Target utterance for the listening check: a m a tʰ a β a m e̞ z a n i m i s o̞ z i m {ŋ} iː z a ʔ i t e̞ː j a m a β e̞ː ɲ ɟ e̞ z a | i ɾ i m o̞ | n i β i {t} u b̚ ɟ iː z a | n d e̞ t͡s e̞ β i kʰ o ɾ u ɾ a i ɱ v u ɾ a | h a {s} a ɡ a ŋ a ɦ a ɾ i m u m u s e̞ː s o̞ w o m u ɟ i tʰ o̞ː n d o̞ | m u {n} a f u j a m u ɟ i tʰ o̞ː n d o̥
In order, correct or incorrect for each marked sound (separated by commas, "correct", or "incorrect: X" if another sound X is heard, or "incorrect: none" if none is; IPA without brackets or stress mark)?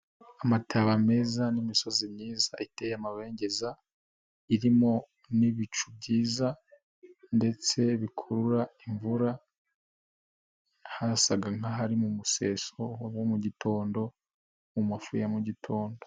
incorrect: ɲ, incorrect: t͡ʃ, correct, incorrect: m